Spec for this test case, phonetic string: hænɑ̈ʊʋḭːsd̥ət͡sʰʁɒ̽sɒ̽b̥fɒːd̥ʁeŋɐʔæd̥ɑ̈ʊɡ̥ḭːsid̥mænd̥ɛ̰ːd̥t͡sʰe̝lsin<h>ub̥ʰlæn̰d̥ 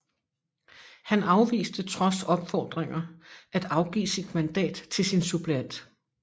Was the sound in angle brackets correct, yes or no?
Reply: no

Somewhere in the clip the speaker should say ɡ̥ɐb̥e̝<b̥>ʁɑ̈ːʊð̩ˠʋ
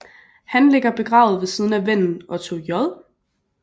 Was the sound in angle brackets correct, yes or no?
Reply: no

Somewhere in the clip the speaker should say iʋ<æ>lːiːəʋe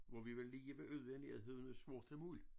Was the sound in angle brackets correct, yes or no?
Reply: no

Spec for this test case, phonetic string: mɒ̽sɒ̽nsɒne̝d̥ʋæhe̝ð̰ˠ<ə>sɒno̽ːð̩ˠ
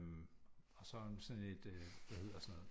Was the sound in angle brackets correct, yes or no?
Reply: no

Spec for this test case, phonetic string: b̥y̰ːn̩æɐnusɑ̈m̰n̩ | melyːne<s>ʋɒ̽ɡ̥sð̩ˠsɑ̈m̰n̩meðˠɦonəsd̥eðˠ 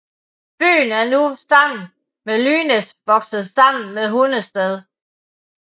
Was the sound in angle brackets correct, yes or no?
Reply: yes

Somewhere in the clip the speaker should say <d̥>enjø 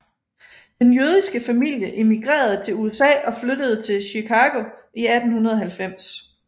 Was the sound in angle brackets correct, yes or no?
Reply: yes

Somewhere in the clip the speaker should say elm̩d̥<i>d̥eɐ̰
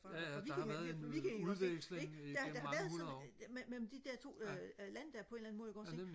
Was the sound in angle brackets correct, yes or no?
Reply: yes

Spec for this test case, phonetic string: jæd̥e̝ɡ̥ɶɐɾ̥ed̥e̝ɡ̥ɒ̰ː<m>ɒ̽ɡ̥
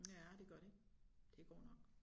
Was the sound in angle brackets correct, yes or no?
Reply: no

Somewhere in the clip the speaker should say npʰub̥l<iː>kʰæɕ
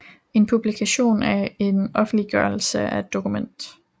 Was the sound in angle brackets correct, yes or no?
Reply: no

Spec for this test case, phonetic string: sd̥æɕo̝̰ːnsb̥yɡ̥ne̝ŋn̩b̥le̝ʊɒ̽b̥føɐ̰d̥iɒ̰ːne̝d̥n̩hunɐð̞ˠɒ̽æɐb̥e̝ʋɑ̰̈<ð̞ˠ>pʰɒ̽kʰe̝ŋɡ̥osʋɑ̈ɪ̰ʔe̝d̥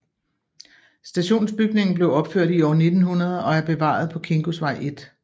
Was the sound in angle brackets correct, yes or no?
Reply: yes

